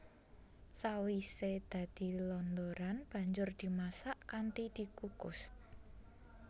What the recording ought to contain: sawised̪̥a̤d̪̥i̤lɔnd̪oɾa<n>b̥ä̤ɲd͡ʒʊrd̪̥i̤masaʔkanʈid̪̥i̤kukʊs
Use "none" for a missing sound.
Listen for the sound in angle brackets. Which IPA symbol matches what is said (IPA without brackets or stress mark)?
n